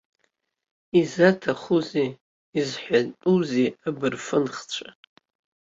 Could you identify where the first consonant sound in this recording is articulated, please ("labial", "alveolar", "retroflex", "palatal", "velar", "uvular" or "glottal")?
alveolar